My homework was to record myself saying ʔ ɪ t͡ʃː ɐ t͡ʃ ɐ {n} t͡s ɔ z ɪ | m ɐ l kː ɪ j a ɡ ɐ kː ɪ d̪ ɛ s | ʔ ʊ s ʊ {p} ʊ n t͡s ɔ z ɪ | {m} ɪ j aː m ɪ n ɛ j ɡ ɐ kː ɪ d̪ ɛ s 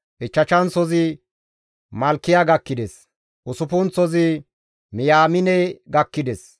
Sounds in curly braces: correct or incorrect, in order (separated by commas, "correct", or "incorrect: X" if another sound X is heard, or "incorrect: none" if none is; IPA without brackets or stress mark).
correct, correct, correct